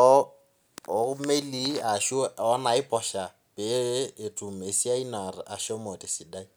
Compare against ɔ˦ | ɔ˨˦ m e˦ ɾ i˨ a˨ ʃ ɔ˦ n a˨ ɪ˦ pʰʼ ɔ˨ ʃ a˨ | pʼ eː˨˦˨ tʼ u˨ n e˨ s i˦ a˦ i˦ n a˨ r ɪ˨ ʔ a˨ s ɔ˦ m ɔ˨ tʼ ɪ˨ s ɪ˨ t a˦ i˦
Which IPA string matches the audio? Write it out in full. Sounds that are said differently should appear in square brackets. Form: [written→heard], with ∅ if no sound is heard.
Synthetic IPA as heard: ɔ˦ | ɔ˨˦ m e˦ [ɾ→l] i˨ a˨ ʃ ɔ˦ n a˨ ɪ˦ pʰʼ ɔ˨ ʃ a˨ | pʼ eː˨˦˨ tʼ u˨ [n→m] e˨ s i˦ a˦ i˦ n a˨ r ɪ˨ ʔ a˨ [s→ʃ] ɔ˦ m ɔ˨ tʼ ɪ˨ s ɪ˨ [t→d] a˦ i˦